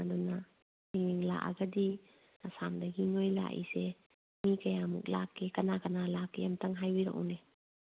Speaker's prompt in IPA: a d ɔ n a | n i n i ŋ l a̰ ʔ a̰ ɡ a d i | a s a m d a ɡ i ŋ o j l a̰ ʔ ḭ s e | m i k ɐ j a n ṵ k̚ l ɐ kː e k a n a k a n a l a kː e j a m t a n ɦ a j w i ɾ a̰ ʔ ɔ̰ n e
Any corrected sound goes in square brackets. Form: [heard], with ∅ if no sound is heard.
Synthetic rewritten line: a d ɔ n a | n i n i ŋ l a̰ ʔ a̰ ɡ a d i | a s a m d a ɡ i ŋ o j l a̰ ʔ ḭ s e | m i k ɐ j a [m] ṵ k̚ l [a] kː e k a n a k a n a l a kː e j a m t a [ŋ] ɦ a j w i ɾ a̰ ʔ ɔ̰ n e